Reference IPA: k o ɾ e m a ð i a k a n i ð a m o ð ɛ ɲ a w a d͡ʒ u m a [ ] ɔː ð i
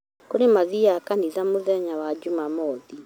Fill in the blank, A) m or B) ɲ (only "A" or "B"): A